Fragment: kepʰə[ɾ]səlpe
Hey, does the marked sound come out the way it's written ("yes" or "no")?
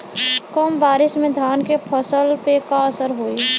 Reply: no